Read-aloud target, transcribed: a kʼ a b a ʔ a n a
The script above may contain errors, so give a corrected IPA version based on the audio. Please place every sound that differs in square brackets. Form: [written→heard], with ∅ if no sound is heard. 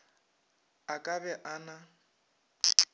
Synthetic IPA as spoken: a kʼ a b [a→ɛ] ʔ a n a